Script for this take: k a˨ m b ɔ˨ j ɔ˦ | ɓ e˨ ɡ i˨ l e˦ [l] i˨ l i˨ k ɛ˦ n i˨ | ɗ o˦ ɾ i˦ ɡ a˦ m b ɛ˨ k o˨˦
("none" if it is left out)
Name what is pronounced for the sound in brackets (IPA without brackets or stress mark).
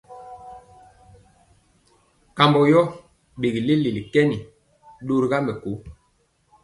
l